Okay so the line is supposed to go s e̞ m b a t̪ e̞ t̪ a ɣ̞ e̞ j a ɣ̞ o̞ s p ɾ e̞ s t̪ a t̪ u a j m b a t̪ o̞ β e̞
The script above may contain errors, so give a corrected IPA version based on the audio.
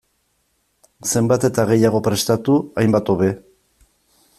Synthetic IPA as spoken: s e̞ m b a t̪ e̞ t̪ a ɣ̞ e̞ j a ɣ̞ o̞ p ɾ e̞ s t̪ a t̪ u a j m b a t̪ o̞ β e̞